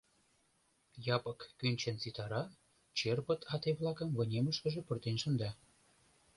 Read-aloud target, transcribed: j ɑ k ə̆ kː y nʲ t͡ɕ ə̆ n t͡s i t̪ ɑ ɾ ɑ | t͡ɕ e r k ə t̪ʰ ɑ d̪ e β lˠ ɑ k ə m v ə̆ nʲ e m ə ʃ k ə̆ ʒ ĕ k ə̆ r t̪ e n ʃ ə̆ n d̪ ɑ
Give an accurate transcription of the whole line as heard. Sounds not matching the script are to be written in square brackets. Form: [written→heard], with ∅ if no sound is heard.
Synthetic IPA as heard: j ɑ [k→p] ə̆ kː y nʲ t͡ɕ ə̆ n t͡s i t̪ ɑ ɾ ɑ | t͡ɕ e r [k→p] ə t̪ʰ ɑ [d̪→t̪] e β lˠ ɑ k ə m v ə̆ nʲ e m ə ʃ k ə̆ ʒ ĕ [k→p] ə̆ r t̪ e n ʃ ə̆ n d̪ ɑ